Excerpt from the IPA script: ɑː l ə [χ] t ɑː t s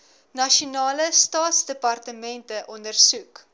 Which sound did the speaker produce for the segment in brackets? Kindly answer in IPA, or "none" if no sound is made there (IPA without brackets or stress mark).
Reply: s